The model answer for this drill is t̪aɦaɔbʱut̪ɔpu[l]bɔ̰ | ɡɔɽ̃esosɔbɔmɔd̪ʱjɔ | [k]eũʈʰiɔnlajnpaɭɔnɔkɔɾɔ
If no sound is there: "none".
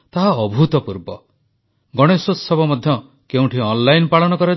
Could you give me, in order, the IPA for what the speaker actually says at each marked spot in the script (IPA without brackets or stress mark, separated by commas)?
ɾ, k